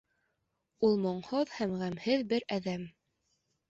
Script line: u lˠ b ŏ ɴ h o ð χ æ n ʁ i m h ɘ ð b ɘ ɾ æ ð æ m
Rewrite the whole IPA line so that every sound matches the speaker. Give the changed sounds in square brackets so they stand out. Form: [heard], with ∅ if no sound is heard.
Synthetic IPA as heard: u lˠ [m] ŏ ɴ h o ð [h] æ [m] ʁ [æ] m h ɘ ð b ɘ ɾ æ ð æ m